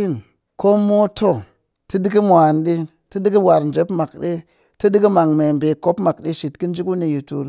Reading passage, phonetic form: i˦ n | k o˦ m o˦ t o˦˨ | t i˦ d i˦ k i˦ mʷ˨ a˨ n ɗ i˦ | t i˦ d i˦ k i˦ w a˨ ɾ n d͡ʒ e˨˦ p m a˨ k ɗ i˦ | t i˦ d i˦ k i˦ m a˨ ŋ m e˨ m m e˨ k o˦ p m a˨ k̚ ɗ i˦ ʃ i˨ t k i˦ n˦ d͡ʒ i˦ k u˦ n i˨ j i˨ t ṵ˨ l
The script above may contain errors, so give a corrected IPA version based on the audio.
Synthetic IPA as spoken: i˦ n | k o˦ m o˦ t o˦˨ | t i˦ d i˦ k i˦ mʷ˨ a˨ n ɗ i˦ | t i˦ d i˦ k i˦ w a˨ ɾ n d͡ʒ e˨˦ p m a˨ k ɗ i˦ | t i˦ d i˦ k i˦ m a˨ ŋ m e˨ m b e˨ k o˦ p m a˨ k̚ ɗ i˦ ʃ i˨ t k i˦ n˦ d͡ʒ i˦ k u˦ n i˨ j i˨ t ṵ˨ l